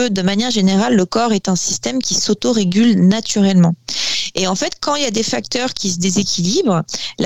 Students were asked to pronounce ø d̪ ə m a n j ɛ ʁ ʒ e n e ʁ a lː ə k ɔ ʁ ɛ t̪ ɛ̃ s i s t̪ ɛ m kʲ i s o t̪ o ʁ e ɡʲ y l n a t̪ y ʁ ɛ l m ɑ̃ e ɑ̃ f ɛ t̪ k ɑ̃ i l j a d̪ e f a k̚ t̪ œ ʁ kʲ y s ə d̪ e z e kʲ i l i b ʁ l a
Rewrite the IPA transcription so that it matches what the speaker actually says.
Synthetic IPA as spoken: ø d̪ ə m a n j ɛ ʁ ʒ e n e ʁ a lː ə k ɔ ʁ ɛ t̪ ɛ̃ s i s t̪ ɛ m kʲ i s o t̪ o ʁ e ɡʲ y l n a t̪ y ʁ ɛ l m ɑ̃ e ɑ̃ f ɛ t̪ k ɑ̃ i l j a d̪ e f a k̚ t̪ œ ʁ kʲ i s ə d̪ e z e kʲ i l i b ʁ l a